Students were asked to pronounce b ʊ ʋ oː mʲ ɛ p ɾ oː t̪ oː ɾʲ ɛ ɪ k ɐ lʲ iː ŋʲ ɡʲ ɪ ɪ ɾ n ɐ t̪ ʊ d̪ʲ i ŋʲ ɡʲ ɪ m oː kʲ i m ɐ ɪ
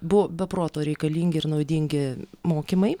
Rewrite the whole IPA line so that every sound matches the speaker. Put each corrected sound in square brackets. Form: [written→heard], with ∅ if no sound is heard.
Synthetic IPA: b ʊ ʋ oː [mʲ→bʲ] ɛ p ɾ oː t̪ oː ɾʲ ɛ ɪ k ɐ lʲ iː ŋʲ ɡʲ ɪ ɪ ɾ n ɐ [t̪→∅] ʊ d̪ʲ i ŋʲ ɡʲ ɪ m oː kʲ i m ɐ ɪ